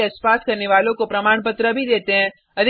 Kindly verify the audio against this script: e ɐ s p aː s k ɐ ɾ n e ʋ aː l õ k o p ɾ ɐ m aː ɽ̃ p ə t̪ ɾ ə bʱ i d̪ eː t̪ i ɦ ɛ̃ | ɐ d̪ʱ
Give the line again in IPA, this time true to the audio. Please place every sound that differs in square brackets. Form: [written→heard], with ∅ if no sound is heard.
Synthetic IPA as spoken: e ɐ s p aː s k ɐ ɾ n e ʋ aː l õ k o p ɾ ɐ m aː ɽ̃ p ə t̪ ɾ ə bʱ i d̪ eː t̪ [i→e] ɦ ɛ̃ | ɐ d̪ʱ